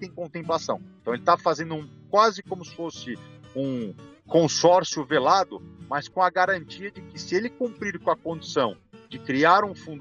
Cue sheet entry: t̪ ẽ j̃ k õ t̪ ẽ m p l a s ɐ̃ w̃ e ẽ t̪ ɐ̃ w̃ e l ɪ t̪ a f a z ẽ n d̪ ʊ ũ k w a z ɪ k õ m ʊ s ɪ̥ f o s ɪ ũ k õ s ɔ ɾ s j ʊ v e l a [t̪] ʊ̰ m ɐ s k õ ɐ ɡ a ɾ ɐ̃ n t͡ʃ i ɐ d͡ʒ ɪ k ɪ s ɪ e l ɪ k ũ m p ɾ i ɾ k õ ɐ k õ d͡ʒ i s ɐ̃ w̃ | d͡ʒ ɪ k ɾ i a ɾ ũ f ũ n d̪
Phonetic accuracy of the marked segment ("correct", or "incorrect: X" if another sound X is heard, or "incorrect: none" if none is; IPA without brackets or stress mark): incorrect: d̪